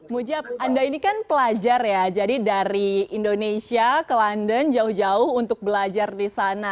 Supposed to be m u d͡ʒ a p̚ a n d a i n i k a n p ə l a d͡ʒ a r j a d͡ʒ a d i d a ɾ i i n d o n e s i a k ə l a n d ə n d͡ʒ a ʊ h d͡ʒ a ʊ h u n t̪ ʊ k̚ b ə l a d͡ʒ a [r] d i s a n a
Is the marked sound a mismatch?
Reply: no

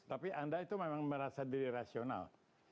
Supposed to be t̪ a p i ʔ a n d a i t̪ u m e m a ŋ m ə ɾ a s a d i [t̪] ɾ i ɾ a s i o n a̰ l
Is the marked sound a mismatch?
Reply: yes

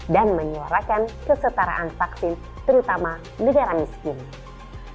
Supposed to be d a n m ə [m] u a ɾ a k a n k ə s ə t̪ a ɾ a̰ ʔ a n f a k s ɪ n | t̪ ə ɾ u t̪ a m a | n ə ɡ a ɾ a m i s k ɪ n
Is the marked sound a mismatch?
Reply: yes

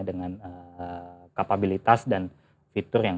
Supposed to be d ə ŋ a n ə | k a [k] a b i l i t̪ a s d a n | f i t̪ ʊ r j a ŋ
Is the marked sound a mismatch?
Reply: yes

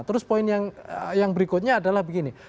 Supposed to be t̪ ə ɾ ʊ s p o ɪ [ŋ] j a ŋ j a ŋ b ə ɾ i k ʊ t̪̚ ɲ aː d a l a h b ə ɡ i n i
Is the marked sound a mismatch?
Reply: yes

